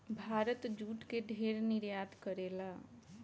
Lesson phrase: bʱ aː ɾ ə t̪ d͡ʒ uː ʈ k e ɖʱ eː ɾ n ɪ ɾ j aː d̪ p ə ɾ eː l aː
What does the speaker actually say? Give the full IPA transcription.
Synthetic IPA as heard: bʱ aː ɾ ə t̪ d͡ʒ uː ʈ k e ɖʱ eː ɾ n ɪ ɾ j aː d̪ k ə ɾ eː l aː